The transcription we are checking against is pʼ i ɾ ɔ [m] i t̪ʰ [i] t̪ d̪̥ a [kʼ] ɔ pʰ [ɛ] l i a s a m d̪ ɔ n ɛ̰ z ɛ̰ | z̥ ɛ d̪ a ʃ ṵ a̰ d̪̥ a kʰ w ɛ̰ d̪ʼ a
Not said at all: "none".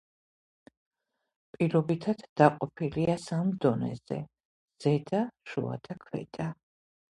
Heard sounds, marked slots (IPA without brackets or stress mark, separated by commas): b, a, qʼ, i